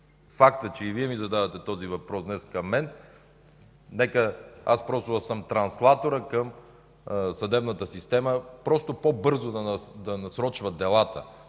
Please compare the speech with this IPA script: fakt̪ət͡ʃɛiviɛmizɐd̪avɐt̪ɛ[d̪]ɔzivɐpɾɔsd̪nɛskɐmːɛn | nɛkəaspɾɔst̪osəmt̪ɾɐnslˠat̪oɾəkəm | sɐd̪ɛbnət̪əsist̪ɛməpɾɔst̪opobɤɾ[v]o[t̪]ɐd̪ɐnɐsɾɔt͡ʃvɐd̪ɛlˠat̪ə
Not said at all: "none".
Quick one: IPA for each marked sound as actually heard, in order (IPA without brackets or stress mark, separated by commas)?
t̪, z, d̪